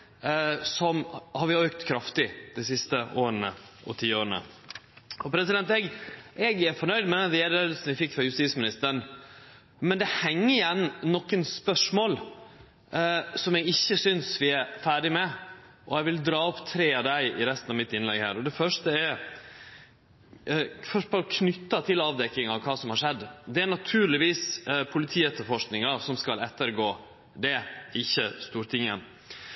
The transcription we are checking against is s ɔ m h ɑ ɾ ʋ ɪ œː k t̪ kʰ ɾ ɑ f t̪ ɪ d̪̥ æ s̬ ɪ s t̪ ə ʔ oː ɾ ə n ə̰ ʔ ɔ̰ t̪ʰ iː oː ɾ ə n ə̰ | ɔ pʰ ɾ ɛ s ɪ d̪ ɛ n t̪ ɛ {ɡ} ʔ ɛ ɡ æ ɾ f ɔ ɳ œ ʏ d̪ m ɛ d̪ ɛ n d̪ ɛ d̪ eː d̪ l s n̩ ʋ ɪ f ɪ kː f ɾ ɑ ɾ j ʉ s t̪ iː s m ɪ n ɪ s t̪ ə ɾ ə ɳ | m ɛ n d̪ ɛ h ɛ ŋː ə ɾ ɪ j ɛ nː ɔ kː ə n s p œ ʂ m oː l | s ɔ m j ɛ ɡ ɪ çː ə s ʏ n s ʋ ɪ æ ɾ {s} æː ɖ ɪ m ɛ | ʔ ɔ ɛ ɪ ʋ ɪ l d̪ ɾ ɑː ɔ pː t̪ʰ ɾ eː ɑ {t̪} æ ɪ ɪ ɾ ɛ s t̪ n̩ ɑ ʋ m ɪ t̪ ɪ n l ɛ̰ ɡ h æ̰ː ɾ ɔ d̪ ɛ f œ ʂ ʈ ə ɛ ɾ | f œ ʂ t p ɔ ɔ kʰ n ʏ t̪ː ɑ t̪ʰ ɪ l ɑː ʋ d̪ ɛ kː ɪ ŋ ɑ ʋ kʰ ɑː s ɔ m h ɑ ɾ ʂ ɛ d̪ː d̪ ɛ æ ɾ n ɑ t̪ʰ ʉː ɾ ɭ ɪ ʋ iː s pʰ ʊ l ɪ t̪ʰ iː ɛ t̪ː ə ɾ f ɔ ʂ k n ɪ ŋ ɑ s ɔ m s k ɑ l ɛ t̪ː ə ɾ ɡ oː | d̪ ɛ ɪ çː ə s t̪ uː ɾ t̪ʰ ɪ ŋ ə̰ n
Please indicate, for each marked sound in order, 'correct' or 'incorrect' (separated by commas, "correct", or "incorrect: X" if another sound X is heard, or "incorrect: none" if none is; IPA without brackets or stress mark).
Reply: correct, incorrect: f, incorrect: d̪